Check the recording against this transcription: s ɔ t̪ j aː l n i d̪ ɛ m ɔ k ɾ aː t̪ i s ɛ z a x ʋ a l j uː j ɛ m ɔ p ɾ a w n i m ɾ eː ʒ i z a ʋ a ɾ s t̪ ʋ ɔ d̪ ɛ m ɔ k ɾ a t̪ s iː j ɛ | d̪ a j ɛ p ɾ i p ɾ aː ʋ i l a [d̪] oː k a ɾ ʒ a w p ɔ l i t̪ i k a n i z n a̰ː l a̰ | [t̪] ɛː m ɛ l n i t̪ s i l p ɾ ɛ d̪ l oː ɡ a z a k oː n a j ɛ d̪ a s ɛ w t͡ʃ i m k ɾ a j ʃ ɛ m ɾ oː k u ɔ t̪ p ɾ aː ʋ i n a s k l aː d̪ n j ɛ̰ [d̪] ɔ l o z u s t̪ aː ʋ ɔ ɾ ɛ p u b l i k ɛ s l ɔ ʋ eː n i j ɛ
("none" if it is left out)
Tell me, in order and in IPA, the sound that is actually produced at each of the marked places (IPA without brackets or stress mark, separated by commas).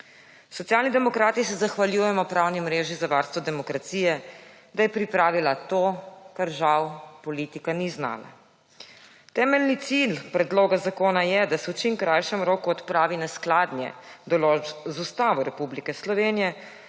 t̪, t̪, d̪